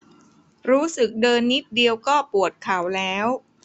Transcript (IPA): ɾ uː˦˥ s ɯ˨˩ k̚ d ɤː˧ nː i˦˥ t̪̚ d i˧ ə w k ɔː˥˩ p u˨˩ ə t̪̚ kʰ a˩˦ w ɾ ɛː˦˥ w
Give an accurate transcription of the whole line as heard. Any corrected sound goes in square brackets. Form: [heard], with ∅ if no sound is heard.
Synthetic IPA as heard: ɾ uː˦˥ s ɯ˨˩ k̚ d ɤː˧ nː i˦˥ t̪̚ d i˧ ə w k ɔː˥˩ p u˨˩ ə t̪̚ kʰ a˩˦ w [l] ɛː˦˥ w